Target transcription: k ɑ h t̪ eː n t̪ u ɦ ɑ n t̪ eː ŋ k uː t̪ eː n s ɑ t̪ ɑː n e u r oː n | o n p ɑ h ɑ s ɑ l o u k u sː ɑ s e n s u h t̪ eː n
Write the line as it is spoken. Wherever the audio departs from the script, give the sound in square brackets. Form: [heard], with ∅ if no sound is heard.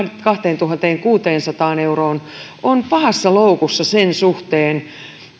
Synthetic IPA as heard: k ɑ h t̪ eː n t̪ u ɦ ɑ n t̪ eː ŋ k uː t̪ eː n s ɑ t̪ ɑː n e u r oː n | o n p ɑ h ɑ [sː] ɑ l o u k u sː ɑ s e n s u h t̪ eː n